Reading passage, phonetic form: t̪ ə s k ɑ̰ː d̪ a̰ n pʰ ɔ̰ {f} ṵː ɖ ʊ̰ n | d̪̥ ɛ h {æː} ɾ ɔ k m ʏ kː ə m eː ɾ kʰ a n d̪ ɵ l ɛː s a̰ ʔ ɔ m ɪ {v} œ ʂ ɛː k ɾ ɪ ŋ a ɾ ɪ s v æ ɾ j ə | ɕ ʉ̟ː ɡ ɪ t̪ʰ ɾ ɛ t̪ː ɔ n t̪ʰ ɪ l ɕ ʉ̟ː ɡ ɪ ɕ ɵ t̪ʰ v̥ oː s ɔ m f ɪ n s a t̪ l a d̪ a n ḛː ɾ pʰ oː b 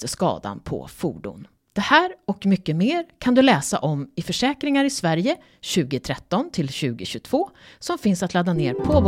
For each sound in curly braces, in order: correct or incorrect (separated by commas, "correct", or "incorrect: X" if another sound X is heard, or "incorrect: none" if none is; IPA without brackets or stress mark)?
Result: correct, correct, incorrect: f